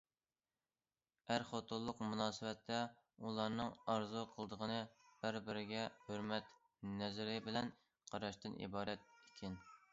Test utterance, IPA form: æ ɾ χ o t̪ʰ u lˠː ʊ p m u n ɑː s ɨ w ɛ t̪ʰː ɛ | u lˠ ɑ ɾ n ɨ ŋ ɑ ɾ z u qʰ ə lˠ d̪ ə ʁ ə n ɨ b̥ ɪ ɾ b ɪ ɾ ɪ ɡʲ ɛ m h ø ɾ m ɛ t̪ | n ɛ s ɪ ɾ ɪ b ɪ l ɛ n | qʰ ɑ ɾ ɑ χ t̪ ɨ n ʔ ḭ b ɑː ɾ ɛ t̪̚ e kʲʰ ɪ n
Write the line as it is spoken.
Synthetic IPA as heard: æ ɾ χ o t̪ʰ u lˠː ʊ q m u n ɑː s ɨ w ɛ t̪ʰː ɛ | u lˠ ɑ ɾ n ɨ ŋ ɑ ɾ z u qʰ ə lˠ d̪ ə ʁ ə n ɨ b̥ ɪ ɾ b ɪ ɾ ɪ ɡʲ ɛ h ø ɾ m ɛ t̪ | n ɛ z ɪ ɾ ɪ b ɪ l ɛ n | qʰ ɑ ɾ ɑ ʃ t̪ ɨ n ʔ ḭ b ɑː ɾ ɛ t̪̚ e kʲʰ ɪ n